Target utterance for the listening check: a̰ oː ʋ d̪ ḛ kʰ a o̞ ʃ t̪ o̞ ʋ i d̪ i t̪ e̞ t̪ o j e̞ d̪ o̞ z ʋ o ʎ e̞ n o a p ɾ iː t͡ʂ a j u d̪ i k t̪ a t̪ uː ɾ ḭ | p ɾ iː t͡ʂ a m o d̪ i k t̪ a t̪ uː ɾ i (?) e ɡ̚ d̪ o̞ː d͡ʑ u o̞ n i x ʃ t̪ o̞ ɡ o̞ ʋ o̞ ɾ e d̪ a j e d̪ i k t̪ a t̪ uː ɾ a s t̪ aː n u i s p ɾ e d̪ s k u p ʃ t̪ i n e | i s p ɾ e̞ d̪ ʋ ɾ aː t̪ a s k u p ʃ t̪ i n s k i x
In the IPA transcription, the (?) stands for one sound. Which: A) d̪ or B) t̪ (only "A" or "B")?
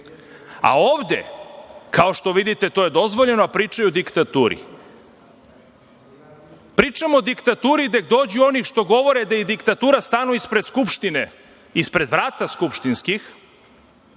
A